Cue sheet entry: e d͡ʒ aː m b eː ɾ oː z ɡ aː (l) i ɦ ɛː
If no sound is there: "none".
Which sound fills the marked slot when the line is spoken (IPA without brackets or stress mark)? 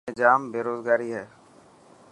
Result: ɾ